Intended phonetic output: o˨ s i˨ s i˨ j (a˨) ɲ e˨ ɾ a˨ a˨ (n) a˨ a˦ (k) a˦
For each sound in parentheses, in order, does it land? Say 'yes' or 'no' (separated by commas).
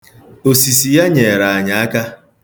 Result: no, no, yes